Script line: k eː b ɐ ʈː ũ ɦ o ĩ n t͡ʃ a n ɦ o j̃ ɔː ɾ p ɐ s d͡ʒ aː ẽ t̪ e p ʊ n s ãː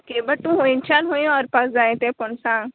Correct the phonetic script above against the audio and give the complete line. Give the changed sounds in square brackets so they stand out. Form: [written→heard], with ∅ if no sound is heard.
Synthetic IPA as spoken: k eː b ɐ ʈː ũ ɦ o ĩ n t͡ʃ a n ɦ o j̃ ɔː ɾ p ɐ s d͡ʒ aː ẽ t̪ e p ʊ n s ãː